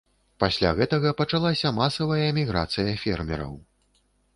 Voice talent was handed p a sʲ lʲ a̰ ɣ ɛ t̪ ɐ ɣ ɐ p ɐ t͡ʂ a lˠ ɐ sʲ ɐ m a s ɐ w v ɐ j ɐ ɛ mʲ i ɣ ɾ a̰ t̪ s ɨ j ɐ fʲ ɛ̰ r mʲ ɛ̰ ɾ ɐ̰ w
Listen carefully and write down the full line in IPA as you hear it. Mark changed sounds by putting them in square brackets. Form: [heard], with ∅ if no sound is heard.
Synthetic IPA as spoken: p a sʲ lʲ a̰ ɣ ɛ t̪ ɐ ɣ ɐ p ɐ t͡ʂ a lˠ [a] sʲ ɐ m a s ɐ [∅] v ɐ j ɐ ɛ mʲ i ɣ ɾ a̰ t̪ s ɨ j ɐ fʲ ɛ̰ r mʲ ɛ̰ ɾ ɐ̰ w